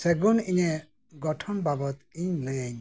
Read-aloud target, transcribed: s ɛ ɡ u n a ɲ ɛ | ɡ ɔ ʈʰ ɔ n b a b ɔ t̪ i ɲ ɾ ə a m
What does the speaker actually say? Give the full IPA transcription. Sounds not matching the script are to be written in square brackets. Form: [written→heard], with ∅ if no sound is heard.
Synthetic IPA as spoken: s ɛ ɡ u n [a→i] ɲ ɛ | ɡ ɔ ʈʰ ɔ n b a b ɔ t̪ i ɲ [ɾ→l] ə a [m→ɲ]